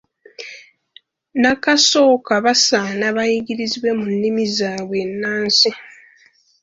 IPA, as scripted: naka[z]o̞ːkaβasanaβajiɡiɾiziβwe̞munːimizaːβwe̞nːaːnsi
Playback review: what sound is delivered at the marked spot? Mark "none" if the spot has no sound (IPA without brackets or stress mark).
s